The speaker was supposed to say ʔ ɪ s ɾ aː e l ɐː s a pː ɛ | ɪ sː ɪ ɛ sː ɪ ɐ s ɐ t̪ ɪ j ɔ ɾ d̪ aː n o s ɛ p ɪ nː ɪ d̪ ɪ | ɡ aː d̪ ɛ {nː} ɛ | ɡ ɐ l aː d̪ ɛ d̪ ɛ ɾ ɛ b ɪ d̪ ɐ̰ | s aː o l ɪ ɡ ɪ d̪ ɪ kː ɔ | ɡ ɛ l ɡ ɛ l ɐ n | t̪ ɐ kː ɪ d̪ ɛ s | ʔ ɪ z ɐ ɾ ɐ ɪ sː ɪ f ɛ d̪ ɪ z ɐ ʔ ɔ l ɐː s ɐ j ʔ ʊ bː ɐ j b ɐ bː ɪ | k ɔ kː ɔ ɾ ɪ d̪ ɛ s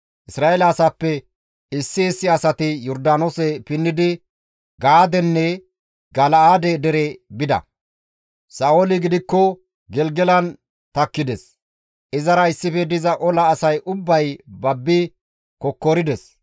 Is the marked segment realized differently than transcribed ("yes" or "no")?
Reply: no